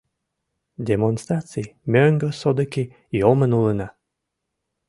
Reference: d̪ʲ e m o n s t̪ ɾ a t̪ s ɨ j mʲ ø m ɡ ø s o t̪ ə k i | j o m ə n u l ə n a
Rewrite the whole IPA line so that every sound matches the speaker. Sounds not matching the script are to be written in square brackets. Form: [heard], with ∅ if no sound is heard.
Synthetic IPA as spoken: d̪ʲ e m o n s t̪ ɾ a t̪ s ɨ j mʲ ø [ŋ] ɡ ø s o [d̪] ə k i | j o m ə n u l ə n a